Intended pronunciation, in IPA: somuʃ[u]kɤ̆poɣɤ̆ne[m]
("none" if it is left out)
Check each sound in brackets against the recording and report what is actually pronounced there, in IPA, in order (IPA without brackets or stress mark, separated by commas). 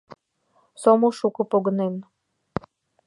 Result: u, n